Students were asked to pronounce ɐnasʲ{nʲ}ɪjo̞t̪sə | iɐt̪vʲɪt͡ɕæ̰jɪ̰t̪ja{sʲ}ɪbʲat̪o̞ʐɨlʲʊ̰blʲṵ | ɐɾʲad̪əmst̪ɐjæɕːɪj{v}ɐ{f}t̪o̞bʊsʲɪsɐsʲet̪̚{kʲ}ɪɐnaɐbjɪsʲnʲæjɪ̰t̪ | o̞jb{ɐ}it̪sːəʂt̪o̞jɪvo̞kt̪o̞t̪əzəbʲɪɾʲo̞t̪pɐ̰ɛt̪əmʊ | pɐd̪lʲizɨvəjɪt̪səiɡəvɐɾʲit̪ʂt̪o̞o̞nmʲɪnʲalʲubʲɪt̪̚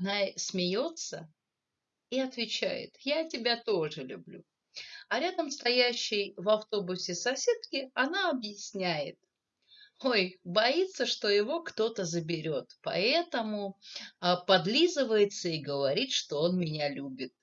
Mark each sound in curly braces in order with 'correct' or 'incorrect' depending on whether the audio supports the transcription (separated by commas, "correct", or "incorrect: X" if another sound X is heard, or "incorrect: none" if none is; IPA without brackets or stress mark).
incorrect: mʲ, incorrect: tʲ, correct, correct, correct, correct